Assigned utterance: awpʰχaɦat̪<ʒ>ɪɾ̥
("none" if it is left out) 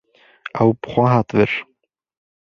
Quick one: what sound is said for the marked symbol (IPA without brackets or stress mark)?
v